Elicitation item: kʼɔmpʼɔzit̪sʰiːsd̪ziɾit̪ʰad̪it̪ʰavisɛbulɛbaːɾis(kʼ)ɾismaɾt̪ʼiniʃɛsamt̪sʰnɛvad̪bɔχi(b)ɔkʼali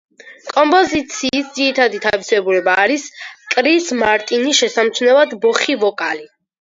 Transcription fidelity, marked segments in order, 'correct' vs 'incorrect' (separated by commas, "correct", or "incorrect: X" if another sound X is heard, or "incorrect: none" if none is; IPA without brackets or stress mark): correct, incorrect: v